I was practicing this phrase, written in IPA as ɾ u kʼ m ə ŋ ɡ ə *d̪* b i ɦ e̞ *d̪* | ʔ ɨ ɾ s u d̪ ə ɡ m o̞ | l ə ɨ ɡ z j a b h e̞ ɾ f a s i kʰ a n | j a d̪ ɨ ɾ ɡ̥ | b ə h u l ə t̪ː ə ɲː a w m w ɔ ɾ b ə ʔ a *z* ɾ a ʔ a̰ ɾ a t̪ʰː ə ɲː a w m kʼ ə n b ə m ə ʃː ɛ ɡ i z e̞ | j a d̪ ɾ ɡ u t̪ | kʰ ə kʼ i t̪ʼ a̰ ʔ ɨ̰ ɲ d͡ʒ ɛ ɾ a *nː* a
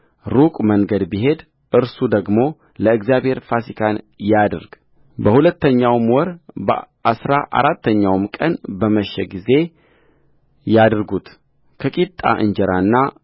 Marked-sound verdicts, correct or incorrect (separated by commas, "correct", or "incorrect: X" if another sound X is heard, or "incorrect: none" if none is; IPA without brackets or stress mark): correct, correct, incorrect: s, correct